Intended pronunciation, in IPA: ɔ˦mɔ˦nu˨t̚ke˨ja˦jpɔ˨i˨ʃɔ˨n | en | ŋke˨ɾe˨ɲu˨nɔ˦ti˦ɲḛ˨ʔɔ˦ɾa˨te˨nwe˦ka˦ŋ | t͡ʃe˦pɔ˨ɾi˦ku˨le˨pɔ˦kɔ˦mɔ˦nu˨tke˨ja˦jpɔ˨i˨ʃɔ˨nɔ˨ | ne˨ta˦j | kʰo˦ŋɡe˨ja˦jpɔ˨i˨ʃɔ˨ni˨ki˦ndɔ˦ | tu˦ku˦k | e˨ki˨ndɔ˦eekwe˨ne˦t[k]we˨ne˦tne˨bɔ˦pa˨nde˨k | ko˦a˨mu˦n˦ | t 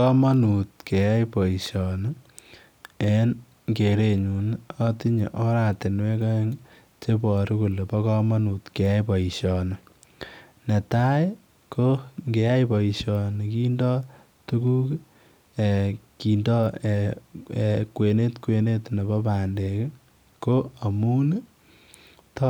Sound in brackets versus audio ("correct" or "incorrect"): correct